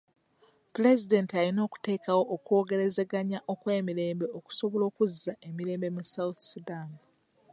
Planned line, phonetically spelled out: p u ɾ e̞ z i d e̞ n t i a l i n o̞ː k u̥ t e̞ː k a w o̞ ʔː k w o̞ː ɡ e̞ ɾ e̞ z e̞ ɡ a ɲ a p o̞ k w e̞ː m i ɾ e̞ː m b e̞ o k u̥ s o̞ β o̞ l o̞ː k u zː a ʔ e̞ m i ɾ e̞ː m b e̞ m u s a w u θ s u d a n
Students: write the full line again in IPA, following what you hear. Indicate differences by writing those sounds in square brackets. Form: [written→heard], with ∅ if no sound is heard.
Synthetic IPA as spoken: p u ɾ e̞ z i d e̞ n t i a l i n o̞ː k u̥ t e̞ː k a w o̞ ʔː k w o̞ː ɡ e̞ ɾ e̞ z e̞ ɡ a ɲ a [p→ʔ] o̞ k w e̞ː m i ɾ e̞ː m b e̞ o k u̥ s o̞ β o̞ l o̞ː k u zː a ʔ e̞ m i ɾ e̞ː m b e̞ m u s a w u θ s u d a n